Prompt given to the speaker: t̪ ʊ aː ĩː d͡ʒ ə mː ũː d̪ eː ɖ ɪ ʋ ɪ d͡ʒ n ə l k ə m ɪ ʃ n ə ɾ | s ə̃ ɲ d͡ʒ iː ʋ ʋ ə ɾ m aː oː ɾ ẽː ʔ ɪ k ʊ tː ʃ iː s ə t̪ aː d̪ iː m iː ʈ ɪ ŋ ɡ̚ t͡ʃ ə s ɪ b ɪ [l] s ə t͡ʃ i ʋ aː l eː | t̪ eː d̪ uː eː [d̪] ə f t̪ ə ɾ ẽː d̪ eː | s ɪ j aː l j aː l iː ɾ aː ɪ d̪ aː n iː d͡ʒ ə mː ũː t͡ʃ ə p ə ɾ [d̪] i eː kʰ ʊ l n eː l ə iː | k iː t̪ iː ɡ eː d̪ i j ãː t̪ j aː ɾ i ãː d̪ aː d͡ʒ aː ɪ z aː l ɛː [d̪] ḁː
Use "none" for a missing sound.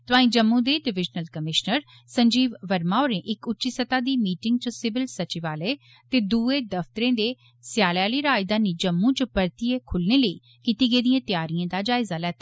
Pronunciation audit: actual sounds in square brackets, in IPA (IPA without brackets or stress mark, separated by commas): l, d̪, t̪, t̪